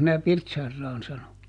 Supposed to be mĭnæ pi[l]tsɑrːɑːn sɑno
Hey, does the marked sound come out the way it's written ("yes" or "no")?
no